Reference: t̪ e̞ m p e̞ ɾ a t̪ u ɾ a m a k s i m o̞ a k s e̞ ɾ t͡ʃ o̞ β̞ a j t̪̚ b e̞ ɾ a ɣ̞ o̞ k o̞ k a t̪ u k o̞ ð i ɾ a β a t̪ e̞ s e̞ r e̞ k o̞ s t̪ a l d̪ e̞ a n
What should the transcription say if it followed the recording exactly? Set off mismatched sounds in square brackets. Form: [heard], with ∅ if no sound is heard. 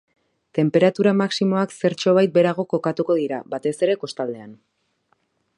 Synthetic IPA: t̪ e̞ m p e̞ ɾ a t̪ u ɾ a m a k s i m o̞ a k s e̞ ɾ t͡ʃ o̞ β̞ a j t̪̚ b e̞ ɾ a ɣ̞ o̞ k o̞ k a t̪ u k o̞ ð i ɾ a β a t̪ e̞ s e̞ [ɾ] e̞ k o̞ s t̪ a l d̪ e̞ a n

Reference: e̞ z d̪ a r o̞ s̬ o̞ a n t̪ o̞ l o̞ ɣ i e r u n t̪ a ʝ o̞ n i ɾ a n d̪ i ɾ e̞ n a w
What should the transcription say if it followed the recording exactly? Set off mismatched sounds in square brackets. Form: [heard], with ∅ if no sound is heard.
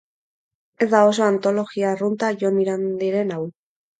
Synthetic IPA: e̞ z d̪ a [∅] o̞ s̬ o̞ a n t̪ o̞ l o̞ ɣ i [a] r u n t̪ a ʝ o̞ n i ɾ a n d̪ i ɾ e̞ n a w

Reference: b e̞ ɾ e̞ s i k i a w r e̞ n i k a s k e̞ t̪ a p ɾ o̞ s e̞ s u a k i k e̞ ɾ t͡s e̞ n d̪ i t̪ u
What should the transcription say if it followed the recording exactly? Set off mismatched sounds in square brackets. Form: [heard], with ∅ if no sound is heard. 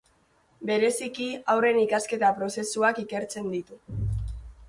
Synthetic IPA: b e̞ ɾ e̞ s i k i a w r e̞ n i k a s k e̞ t̪ a p ɾ o̞ s e̞ s u a k i k e̞ ɾ t͡s e̞ n d̪ i t̪ u

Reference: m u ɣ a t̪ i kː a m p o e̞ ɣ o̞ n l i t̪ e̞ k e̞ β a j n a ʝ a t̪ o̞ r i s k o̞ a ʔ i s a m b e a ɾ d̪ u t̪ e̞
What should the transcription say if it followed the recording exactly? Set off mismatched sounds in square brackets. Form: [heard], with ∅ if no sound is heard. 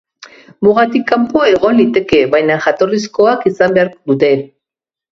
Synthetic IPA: m u ɣ a t̪ i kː a m p o e̞ ɣ o̞ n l i t̪ e̞ k e̞ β a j n a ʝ a t̪ o̞ r i s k o̞ a [k] i s a m b e a ɾ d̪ u t̪ e̞

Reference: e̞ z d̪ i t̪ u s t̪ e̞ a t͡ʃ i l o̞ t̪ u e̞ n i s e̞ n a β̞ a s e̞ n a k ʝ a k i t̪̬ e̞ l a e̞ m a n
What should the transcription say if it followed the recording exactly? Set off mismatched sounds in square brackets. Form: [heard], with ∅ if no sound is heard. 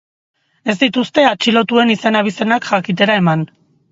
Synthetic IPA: e̞ z d̪ i t̪ u s t̪ e̞ a t͡ʃ i l o̞ t̪ u e̞ n i s e̞ n a β̞ [i] s e̞ n a k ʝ a k i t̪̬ e̞ [ɾ] a e̞ m a n

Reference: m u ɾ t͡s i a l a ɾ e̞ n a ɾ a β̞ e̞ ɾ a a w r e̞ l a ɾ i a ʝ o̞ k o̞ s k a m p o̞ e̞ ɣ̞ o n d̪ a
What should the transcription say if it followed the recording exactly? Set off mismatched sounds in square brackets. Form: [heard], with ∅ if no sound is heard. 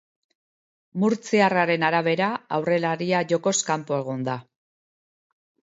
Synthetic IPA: m u ɾ t͡s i a [r] a ɾ e̞ n a ɾ a β̞ e̞ ɾ a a w r e̞ l a ɾ i a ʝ o̞ k o̞ s k a m p o̞ e̞ ɣ̞ o n d̪ a

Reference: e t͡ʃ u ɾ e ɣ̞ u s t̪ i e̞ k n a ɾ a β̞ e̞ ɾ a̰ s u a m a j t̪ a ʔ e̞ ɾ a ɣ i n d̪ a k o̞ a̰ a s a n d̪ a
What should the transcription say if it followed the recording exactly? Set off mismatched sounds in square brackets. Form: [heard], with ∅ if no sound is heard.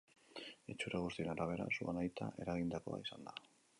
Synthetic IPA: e t͡ʃ u ɾ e ɣ̞ u s t̪ i e̞ [∅] n a ɾ a β̞ e̞ ɾ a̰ s u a [n] a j t̪ a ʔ e̞ ɾ a ɣ i n d̪ a k o̞ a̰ [i] s a n d̪ a

